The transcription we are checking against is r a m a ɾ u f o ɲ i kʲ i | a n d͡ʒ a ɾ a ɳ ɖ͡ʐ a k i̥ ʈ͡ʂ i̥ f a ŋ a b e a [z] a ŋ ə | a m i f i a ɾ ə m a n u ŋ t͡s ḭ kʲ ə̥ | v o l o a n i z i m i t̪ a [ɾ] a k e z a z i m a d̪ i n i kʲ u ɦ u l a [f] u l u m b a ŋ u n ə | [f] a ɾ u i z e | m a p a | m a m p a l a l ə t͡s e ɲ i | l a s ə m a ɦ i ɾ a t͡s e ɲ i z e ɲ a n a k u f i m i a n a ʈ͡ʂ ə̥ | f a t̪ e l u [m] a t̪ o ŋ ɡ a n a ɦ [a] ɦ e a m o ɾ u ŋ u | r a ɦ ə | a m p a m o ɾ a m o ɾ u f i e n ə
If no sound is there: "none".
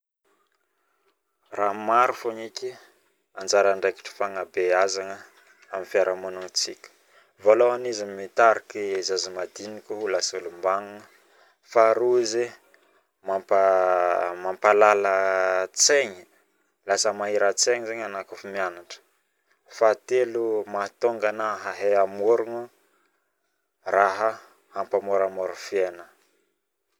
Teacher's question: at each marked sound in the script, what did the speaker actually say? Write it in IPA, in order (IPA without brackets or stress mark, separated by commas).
z, ɾ, s, f, m, a